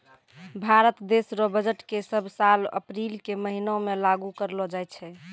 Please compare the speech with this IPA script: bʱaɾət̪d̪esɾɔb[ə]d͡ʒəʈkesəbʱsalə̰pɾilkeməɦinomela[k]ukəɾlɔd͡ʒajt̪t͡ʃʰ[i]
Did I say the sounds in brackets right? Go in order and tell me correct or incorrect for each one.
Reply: correct, incorrect, incorrect

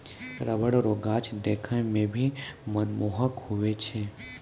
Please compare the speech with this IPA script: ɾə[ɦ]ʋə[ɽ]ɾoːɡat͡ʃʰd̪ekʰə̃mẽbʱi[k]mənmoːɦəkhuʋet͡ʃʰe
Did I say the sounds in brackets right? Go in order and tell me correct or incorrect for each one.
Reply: incorrect, correct, incorrect

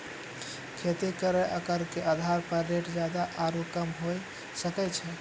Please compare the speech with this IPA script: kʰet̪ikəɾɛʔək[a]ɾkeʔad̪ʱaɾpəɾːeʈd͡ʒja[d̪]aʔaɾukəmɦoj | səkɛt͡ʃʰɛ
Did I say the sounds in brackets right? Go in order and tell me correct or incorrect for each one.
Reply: incorrect, correct

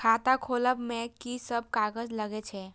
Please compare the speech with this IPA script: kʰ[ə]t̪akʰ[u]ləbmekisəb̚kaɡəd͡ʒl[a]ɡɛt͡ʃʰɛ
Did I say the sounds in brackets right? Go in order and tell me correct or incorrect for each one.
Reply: incorrect, incorrect, incorrect

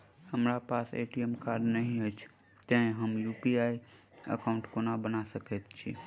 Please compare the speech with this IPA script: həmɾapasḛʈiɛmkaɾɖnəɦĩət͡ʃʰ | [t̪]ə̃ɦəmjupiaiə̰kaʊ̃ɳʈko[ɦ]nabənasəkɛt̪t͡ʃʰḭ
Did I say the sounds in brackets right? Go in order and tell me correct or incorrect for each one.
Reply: correct, incorrect

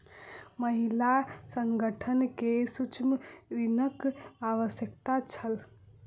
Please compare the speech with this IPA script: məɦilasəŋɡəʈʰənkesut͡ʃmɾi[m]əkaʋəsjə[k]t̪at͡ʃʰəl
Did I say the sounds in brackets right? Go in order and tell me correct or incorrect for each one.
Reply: incorrect, correct

